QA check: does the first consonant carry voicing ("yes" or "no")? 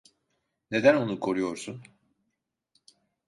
yes